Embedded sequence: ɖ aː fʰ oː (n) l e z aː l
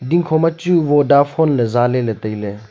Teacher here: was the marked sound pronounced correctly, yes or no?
yes